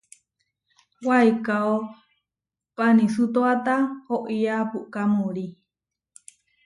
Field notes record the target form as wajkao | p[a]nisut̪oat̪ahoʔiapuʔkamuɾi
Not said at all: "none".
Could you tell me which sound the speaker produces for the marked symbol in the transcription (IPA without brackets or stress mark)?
a